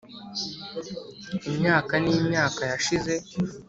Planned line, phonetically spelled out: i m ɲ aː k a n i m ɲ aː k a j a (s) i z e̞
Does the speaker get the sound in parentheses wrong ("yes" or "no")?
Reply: yes